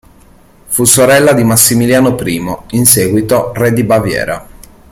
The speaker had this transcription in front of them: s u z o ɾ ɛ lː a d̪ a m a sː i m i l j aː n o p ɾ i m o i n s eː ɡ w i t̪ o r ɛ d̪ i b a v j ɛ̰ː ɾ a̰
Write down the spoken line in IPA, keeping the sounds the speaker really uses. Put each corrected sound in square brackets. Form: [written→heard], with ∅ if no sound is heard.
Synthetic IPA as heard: [s→f] u [z→s] o ɾ ɛ lː a d̪ [a→i] m a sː i m i l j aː n o p ɾ [i→iː] m o i n s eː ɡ w i t̪ o r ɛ d̪ i b a v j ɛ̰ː ɾ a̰